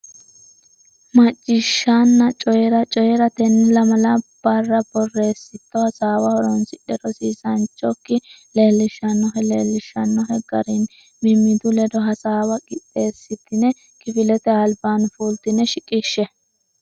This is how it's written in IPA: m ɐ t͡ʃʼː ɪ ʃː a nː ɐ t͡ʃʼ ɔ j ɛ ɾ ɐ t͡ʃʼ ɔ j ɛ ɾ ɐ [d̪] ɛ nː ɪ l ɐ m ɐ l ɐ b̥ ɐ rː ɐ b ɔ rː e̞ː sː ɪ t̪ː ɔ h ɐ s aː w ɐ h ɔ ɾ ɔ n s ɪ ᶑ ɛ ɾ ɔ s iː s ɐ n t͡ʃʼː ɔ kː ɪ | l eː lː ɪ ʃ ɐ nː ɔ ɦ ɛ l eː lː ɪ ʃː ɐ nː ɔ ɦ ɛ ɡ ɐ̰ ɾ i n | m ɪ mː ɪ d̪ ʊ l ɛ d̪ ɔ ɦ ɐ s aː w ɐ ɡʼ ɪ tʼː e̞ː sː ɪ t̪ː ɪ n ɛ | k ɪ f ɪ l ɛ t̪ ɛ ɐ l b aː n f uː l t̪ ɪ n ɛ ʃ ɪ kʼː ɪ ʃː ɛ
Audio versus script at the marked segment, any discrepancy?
yes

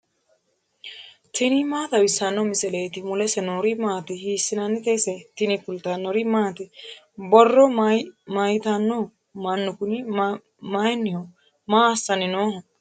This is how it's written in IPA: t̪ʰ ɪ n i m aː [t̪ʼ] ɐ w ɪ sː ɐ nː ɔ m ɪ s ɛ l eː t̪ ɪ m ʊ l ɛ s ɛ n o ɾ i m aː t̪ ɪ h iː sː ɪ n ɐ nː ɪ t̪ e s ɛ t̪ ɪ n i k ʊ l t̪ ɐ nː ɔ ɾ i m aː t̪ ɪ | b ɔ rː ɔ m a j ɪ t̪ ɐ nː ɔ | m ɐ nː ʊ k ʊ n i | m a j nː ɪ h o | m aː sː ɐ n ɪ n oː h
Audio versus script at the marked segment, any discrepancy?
yes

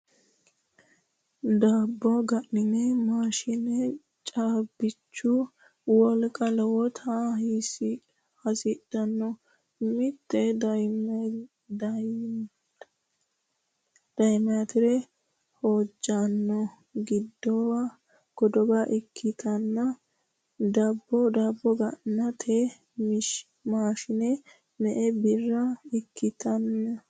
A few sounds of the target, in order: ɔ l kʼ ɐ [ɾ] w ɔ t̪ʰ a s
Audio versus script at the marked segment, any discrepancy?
yes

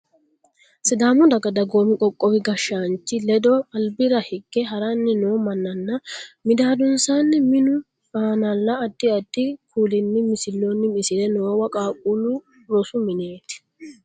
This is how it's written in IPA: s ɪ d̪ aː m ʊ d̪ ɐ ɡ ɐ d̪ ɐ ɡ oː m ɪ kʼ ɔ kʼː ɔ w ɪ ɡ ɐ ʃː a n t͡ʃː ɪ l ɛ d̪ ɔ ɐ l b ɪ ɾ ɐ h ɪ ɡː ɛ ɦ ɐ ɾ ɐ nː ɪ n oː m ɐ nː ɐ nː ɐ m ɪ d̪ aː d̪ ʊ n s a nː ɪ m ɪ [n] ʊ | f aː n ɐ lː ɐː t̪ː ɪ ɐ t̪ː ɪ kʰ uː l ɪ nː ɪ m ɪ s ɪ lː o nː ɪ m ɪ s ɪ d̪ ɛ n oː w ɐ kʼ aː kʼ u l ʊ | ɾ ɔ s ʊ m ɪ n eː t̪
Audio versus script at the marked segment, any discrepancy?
no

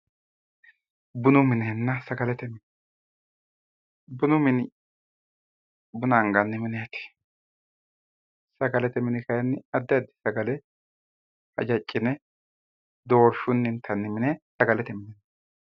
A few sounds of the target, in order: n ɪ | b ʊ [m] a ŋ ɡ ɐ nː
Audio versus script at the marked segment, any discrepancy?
yes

